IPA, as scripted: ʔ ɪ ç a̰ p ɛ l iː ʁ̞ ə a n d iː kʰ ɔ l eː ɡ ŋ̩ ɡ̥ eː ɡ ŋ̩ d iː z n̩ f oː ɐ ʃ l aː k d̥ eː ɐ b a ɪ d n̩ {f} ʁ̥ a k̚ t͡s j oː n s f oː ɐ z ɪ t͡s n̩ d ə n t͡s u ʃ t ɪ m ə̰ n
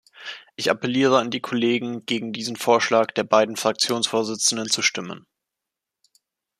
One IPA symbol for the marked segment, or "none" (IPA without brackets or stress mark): f